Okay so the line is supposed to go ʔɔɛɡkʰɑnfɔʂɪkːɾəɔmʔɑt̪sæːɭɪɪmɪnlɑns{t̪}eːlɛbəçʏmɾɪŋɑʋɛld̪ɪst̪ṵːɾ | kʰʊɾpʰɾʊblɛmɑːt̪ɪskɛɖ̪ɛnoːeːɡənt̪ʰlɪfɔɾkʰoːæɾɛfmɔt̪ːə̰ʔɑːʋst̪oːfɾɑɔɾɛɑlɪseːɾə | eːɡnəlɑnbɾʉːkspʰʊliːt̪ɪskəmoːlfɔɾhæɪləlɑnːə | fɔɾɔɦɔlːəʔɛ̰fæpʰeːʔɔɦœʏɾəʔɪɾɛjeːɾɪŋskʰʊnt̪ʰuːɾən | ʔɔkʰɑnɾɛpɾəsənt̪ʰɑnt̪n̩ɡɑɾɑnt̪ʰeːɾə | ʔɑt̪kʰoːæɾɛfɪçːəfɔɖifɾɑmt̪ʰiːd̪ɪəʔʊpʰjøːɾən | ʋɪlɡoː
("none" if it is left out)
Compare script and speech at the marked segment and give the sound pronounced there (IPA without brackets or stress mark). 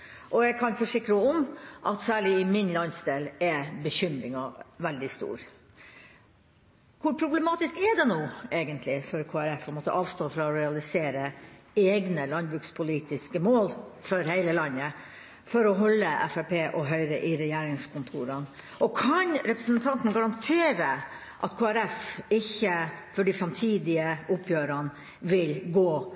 d̪